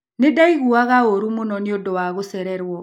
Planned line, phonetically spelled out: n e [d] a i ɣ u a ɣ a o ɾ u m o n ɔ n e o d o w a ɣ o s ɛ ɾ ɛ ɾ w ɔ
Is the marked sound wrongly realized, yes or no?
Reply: no